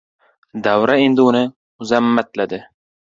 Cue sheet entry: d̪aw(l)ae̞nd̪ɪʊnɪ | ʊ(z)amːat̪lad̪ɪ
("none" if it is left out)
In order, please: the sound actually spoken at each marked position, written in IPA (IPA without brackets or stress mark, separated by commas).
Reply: ɾ, z